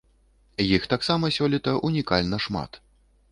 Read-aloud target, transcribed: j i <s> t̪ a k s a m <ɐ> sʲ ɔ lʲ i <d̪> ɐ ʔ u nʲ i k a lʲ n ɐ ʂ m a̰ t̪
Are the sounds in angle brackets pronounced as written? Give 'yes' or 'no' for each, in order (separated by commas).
no, yes, no